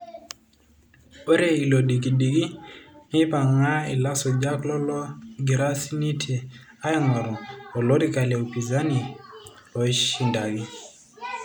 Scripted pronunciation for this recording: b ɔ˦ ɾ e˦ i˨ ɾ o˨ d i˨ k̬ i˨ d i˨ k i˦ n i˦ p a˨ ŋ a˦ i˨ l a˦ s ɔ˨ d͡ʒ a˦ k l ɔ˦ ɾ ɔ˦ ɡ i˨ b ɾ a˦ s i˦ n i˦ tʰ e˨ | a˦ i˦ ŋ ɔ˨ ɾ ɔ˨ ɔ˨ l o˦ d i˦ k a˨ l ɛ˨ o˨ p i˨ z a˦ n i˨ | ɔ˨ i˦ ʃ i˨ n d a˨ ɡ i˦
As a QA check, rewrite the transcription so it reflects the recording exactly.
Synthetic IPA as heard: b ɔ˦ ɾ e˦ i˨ l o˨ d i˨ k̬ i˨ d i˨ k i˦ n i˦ p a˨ ŋ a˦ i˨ l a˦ s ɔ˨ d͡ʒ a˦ k l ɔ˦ l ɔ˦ ɡ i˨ ɾ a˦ s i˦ n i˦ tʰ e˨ | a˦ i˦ ŋ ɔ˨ ɾ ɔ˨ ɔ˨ l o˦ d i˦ k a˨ l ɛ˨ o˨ p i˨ z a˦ n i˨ | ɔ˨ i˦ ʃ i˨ n d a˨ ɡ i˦